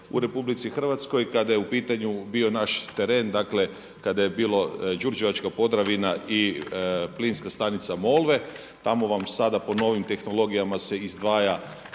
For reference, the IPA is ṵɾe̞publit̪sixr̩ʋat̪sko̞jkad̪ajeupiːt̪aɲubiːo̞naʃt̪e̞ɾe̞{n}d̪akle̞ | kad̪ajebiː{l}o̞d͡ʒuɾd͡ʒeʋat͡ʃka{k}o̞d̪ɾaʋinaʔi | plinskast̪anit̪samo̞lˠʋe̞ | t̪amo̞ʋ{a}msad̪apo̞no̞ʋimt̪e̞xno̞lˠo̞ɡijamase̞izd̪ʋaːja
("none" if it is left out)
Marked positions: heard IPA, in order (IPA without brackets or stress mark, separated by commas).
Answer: n, l, p, a